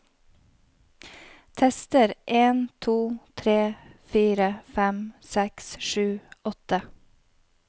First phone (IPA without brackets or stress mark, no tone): t̪ʰ